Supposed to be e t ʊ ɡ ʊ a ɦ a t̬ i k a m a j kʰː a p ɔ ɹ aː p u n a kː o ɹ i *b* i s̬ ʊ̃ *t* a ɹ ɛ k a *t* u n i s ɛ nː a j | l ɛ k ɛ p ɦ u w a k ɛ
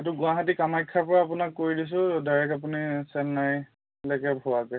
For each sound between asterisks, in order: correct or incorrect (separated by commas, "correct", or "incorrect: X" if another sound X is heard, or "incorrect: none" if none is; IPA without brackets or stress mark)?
incorrect: d, incorrect: d, incorrect: p